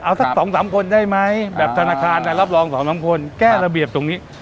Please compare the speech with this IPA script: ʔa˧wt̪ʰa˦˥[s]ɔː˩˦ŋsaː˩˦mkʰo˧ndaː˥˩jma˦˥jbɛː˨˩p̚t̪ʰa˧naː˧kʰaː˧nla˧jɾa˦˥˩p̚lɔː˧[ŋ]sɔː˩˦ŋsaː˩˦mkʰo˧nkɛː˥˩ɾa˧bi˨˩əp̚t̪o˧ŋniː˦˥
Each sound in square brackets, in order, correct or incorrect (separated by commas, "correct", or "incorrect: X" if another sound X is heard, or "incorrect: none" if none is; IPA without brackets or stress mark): correct, correct